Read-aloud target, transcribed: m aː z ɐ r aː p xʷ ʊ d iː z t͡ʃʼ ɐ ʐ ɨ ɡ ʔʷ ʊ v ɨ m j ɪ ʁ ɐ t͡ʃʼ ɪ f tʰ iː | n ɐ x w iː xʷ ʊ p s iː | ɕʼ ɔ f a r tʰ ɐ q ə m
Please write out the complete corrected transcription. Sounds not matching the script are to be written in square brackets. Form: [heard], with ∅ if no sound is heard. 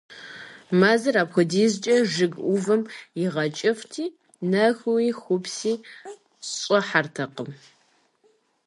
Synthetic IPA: m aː z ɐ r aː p xʷ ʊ d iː z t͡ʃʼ ɐ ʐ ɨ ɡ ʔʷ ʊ v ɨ m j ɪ ʁ ɐ t͡ʃʼ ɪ f tʰ iː | n ɐ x w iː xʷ ʊ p s iː | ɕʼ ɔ [ħ] a r tʰ ɐ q ə m